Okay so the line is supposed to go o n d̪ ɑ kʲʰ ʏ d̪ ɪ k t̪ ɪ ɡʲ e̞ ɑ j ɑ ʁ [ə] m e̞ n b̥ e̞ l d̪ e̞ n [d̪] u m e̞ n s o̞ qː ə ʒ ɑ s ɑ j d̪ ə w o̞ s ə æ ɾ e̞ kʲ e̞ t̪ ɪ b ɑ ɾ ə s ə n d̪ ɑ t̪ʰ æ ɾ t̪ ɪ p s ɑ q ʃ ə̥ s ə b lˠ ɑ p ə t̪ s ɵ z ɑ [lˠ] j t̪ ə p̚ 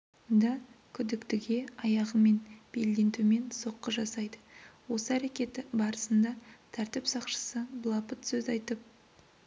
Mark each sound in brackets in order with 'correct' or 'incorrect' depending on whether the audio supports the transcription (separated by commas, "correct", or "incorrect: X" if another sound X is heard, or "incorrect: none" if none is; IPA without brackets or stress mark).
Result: correct, incorrect: t̪, incorrect: none